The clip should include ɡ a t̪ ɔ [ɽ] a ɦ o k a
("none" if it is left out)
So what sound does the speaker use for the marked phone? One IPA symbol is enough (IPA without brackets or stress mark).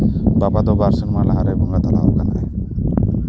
l